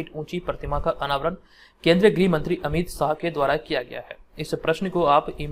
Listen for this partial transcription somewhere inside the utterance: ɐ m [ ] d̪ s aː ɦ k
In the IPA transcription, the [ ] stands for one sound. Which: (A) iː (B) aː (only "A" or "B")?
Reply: A